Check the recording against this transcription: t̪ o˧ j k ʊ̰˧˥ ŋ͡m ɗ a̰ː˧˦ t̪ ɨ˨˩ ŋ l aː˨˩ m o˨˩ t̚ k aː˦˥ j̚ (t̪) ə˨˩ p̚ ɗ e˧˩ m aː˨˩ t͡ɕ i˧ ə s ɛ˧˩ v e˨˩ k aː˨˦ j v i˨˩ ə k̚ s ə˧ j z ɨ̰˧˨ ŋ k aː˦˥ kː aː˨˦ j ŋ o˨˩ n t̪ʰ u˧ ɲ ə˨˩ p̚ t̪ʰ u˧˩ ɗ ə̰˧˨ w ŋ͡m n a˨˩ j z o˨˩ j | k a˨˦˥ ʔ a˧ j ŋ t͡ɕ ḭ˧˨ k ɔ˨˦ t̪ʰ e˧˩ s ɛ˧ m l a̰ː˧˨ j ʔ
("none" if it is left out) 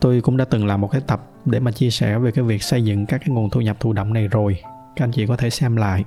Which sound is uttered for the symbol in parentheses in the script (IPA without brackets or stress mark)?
t̪